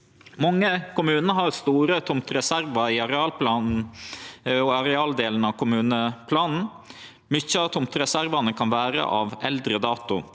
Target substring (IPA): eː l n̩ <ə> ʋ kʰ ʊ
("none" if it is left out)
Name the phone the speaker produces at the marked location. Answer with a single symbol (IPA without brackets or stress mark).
ɑ